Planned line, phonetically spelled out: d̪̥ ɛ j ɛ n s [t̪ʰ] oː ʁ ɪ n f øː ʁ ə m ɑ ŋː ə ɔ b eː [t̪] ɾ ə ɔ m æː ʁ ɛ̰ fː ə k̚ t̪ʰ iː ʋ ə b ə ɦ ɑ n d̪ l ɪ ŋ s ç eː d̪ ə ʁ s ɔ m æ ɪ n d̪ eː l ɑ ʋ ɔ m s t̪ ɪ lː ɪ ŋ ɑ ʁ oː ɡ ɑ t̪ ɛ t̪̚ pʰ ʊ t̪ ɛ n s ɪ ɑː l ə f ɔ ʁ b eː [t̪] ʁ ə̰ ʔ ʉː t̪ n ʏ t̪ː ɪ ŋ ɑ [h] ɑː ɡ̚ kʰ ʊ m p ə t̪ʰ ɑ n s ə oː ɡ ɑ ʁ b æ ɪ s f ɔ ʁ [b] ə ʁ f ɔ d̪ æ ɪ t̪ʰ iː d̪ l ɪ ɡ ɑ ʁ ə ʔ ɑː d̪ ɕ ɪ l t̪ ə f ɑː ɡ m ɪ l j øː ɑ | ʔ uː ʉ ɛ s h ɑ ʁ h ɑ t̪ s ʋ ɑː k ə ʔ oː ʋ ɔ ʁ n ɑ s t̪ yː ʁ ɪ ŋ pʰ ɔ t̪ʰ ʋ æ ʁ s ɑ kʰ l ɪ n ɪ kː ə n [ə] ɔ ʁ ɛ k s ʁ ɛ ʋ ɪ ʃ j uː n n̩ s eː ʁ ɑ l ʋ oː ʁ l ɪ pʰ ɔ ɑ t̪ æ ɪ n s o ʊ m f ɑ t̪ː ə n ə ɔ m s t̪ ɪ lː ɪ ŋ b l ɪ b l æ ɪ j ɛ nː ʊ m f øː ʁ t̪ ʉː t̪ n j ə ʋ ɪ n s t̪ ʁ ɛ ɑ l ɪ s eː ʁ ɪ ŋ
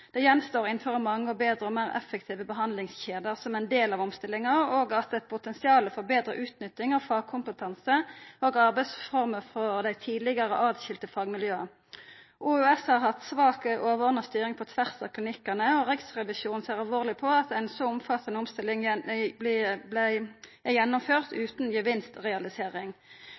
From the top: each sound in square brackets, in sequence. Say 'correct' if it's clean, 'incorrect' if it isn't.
incorrect, incorrect, incorrect, incorrect, incorrect, correct

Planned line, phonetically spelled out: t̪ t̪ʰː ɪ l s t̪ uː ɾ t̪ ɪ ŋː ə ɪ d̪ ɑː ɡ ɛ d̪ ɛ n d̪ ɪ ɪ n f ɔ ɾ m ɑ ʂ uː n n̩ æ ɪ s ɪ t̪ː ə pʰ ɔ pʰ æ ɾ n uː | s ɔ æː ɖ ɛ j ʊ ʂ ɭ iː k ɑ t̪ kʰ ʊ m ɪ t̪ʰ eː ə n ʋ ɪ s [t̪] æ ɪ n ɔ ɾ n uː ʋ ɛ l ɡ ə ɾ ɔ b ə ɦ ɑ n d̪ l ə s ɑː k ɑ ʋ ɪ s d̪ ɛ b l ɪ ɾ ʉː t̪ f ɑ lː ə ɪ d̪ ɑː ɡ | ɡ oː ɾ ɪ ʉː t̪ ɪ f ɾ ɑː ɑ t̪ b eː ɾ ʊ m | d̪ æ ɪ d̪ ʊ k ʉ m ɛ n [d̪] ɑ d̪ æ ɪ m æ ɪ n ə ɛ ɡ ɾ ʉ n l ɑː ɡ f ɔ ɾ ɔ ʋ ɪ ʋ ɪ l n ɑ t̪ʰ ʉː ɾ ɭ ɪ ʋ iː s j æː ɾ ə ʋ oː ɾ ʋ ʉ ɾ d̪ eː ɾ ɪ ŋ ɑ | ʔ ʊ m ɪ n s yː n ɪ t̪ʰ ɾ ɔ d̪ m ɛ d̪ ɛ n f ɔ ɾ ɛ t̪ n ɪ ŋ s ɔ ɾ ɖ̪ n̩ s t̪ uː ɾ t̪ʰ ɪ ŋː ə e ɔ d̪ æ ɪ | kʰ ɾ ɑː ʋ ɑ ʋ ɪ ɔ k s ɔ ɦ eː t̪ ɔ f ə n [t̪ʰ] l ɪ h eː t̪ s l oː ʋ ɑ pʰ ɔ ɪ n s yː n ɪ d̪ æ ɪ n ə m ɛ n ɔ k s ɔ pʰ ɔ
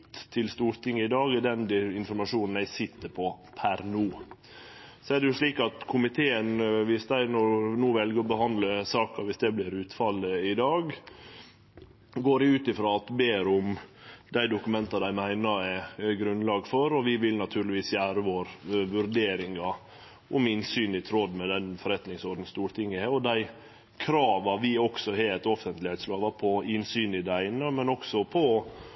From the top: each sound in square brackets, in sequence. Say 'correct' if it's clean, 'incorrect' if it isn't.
incorrect, incorrect, incorrect

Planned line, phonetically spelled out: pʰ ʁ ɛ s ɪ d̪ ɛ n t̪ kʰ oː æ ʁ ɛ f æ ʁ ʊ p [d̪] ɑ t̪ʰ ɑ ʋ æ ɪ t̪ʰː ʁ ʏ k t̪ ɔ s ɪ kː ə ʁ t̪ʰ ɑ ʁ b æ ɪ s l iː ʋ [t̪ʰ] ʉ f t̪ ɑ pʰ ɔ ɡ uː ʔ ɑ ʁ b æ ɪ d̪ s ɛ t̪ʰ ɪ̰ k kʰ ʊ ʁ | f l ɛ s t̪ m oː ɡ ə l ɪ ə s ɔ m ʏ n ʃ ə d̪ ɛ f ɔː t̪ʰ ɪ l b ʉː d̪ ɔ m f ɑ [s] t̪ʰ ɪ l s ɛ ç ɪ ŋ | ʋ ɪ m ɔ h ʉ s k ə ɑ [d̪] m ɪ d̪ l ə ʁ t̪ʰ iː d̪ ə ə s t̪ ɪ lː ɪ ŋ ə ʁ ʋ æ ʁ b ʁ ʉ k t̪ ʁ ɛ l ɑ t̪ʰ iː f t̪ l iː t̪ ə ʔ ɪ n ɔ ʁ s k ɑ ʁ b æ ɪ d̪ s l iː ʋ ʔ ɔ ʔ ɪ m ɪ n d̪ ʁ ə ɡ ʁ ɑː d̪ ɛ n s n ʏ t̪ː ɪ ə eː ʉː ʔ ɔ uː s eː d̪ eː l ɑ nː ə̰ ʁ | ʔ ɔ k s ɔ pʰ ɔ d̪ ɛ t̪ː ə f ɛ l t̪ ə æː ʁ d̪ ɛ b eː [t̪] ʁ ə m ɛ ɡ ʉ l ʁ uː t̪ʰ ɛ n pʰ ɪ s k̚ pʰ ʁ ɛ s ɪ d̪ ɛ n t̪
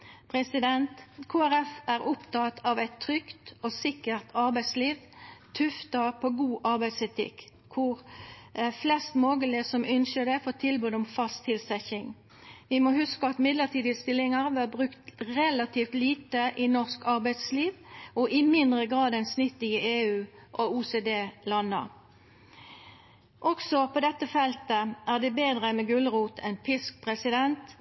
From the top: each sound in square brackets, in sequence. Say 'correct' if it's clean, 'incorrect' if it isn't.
incorrect, correct, correct, incorrect, incorrect

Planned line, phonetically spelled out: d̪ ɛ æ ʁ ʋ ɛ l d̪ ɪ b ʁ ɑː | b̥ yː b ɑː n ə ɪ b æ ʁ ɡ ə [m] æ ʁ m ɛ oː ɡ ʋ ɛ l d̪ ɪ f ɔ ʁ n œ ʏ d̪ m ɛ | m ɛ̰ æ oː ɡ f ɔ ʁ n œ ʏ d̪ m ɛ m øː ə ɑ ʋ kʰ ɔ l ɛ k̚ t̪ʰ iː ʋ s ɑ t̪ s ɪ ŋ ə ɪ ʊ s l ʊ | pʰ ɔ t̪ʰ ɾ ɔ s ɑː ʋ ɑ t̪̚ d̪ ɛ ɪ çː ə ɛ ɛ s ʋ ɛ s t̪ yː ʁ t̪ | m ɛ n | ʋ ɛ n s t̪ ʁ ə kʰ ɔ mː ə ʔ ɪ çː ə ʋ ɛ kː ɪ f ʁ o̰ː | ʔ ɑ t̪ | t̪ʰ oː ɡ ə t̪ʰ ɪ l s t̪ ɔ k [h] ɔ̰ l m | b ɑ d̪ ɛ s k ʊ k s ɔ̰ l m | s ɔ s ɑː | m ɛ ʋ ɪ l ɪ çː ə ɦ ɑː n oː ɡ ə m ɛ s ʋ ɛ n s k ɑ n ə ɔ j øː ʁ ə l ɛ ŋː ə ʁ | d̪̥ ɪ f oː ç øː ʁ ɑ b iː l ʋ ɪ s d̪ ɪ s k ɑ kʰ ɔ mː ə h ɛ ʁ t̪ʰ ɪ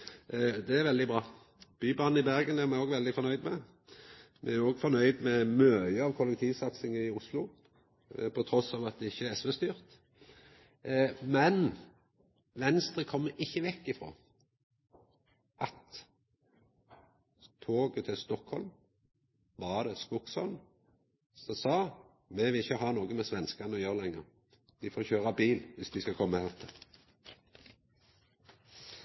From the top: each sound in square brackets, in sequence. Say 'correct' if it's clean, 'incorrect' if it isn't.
incorrect, correct

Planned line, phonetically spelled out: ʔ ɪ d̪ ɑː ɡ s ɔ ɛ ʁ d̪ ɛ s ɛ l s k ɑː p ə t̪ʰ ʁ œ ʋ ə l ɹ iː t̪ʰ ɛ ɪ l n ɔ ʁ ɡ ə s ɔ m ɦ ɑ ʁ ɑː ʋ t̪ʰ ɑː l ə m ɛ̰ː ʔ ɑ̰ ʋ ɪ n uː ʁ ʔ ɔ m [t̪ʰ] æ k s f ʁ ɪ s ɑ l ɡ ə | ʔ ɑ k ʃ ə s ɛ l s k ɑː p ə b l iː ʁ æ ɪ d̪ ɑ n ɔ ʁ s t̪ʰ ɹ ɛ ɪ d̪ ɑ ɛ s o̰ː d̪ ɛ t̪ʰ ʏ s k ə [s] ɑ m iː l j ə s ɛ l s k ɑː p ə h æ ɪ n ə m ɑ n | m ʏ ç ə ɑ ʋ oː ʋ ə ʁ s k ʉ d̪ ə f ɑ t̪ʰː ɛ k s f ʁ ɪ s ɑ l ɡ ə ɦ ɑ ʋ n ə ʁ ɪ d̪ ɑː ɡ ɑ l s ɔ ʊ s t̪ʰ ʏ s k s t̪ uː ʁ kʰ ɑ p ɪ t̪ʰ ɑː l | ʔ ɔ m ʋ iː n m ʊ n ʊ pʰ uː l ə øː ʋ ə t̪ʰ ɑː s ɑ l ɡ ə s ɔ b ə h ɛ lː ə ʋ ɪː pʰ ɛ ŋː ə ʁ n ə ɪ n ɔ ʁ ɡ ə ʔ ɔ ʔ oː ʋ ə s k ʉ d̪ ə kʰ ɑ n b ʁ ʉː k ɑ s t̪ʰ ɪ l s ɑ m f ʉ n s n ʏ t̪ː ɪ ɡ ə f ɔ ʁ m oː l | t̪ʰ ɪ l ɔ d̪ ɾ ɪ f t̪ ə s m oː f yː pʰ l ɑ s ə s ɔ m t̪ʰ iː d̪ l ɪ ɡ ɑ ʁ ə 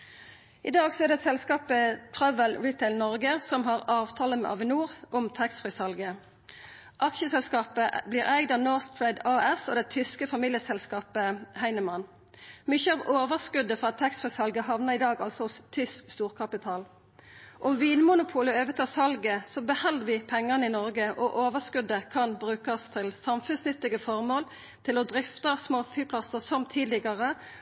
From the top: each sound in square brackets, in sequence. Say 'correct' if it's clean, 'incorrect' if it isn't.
correct, incorrect

